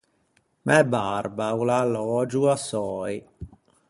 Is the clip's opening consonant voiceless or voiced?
voiced